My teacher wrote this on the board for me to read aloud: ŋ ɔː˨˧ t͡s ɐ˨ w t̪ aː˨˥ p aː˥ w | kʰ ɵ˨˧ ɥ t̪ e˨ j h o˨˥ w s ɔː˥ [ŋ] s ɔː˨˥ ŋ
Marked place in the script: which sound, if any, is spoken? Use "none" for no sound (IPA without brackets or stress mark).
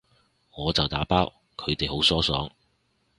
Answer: none